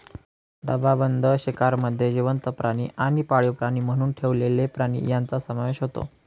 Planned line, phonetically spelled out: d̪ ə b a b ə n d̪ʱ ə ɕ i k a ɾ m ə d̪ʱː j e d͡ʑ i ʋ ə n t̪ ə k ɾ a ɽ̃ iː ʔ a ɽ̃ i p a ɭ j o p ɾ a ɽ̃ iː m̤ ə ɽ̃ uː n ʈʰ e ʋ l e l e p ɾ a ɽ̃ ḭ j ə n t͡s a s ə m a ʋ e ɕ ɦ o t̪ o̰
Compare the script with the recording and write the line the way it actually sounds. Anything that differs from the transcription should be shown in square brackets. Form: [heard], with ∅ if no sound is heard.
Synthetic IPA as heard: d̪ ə b a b ə n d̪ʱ ə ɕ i k a ɾ m ə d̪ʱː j e d͡ʑ i ʋ ə n t̪ ə [p] ɾ a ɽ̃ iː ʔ a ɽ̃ i p a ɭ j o p ɾ a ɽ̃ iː m̤ ə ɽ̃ uː n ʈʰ e ʋ l e l e p ɾ a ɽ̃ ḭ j [a] n t͡s a s ə m a ʋ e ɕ ɦ o t̪ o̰